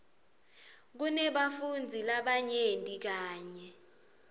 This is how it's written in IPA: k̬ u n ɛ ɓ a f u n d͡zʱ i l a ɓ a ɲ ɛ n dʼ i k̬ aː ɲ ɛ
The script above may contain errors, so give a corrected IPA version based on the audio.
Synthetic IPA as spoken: k̬ u n ɛ ɓ a f u n d͡zʱ i l a ɓ a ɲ e n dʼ i k̬ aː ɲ ɛ

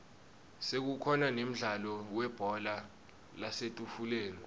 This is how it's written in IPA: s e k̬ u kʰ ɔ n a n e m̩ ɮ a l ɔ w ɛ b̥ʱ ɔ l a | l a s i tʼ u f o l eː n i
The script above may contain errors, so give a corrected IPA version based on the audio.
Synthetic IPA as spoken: s e k̬ u kʰ ɔ n a n e m̩ ɮ a l ɔ w ɛ b̥ʱ ɔ l a | l a s e tʼ u f u l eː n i

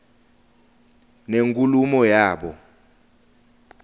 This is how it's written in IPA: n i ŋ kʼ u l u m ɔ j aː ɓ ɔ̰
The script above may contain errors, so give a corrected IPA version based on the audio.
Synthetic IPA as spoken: n e ŋ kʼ u l u m ɔ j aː ɓ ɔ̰

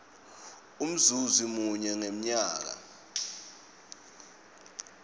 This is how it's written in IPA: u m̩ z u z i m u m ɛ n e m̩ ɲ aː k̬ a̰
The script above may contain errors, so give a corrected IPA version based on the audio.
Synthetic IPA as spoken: u m̩ z u z i m u ɲ ɛ ŋ e m̩ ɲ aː k̬ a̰

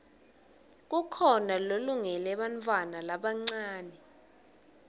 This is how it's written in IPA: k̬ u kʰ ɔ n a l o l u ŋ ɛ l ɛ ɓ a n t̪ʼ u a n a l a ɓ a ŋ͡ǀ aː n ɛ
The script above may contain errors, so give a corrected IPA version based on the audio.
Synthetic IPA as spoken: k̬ u kʰ ɔ n a l o l u ŋ ɛ l ɛ ɓ a n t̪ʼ w a n a l a ɓ a ŋ͡ǀ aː n ɛ

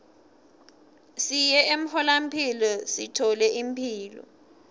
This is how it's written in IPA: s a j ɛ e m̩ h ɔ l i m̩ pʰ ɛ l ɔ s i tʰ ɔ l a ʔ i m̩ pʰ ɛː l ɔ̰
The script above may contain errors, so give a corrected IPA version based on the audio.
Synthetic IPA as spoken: s i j ɛ e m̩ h ɔ l a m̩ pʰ i l ɔ s i tʰ ɔ l ɛ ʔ i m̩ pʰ iː l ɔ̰

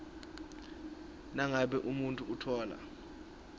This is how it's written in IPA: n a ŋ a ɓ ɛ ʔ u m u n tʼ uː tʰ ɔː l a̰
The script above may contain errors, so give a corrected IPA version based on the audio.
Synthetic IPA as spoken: n a ŋ a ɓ ɛ ʔ u m u n tʼ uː tʰ ɔː l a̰

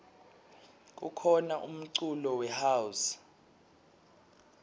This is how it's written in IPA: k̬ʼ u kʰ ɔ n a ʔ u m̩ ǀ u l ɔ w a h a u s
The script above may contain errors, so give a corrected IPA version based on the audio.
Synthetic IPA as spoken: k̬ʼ u kʰ ɔ n a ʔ u m̩ ǀ u l ɔ w ɛ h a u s

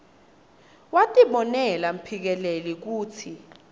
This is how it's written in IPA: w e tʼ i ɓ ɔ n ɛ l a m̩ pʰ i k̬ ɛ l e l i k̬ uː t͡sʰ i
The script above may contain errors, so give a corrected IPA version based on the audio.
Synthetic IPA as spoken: w a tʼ i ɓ ɔ n ɛ l a m̩ pʰ i k̬ ɛ l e l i k̬ uː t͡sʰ i

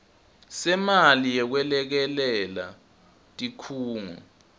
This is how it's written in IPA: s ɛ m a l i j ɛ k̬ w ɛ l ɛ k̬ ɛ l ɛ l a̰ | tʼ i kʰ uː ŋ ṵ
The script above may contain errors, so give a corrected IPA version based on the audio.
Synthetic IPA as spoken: s ɛ m a l i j ɛ k̬ w ɛ l ɛ k̬ ɛ l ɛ l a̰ | tʼ i kʰ uː ŋ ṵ

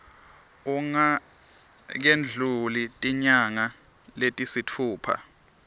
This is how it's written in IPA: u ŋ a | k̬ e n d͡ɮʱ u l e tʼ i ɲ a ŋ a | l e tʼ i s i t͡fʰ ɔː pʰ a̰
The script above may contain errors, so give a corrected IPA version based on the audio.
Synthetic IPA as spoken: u ŋ a | k̬ e n d͡ɮʱ u l i tʼ i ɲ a ŋ a | l e tʼ i s i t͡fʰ uː pʰ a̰

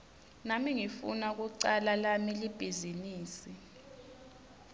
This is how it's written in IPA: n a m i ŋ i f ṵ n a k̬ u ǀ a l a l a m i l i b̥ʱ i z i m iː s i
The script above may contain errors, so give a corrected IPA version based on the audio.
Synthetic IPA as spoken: n a m i ŋ i f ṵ n a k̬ u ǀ a l a l a m i l i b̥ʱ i z i n iː s i

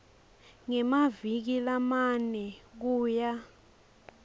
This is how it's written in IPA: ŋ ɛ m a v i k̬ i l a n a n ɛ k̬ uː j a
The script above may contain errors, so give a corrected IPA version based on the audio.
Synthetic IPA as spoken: ŋ ɛ m a v i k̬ i l a m a n ɛ k̬ uː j a

